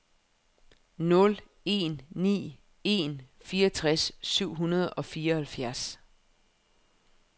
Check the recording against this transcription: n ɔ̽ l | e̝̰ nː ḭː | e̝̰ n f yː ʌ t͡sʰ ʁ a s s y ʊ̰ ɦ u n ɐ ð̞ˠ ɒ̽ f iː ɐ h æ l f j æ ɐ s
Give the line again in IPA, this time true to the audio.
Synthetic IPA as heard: n ɔ̽ l | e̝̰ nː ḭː | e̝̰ n f iː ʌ t͡sʰ ʁ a s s y ʊ̰ ɦ u n ɐ ð̞ˠ ɒ̽ f iː ɐ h æ l f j æ ɐ s